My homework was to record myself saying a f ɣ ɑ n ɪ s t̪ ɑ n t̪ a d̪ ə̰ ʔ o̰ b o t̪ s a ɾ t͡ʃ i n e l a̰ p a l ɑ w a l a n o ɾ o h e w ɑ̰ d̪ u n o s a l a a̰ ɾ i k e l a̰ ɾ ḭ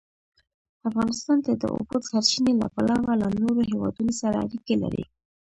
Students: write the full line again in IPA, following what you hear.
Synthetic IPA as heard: a f ɣ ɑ n ɪ s t̪ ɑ n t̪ a d̪ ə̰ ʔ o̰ b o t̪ s a ɾ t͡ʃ i n e l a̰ p a l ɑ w a l a n o ɾ o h e w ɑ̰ d̪ u n o s a ɾ a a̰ ɾ i k e l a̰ ɾ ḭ